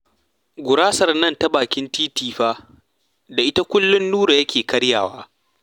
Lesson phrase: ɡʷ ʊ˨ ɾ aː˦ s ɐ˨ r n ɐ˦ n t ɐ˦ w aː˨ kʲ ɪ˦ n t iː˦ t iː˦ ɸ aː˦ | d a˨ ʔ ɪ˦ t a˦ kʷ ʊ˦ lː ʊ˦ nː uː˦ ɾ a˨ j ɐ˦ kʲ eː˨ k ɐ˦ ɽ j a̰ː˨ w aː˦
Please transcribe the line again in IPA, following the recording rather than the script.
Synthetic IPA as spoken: ɡʷ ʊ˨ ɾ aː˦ s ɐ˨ r n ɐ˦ n t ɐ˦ b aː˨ kʲ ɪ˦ n t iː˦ t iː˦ ɸ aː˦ | d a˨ ʔ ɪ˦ t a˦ kʷ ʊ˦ lː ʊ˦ nː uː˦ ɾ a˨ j ɐ˦ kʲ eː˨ k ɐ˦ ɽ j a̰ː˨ w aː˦

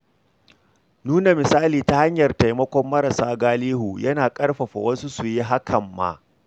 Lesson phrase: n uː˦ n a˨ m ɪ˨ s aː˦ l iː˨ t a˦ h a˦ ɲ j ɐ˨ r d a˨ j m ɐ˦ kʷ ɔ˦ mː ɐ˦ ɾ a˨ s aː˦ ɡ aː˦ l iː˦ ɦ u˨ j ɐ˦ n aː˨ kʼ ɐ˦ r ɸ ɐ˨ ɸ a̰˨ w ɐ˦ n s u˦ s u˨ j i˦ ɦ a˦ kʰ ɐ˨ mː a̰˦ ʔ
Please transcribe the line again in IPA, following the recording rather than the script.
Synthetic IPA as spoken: n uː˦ n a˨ m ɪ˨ s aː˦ l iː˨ t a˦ h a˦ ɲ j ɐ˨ r t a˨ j m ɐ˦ kʷ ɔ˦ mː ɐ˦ ɾ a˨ s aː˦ ɡ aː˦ l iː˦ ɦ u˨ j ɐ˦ n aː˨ kʼ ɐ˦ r ɸ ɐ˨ ɸ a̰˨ w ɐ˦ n s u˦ s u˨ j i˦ ɦ a˦ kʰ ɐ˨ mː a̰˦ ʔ

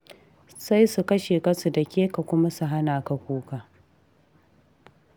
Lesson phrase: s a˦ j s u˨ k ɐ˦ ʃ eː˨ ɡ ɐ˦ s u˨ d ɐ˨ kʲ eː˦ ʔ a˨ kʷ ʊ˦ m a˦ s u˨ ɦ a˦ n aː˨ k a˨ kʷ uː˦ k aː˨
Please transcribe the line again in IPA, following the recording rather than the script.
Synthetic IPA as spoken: s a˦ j s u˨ k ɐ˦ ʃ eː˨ k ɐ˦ s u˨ d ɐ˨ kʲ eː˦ k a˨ kʷ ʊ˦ m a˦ s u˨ ɦ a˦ n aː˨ k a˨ kʷ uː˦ k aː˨

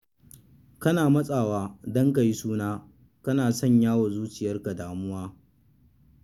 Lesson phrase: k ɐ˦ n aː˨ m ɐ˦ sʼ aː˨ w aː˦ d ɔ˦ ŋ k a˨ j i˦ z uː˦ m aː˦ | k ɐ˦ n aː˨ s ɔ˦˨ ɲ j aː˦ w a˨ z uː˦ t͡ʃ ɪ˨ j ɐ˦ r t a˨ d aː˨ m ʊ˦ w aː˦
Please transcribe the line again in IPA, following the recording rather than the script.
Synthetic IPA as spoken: k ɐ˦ n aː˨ m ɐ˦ sʼ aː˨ w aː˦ d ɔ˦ ŋ k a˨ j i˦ s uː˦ n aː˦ | k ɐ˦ n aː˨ s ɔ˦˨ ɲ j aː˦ w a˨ z uː˦ t͡ʃ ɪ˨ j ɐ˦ r k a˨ d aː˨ m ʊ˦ w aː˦

